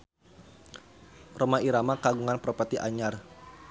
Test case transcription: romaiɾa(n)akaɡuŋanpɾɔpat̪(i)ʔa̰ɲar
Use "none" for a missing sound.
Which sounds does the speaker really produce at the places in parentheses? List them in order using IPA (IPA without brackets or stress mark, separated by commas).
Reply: m, i